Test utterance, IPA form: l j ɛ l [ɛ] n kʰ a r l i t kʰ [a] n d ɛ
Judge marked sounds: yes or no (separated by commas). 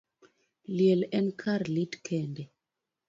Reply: yes, no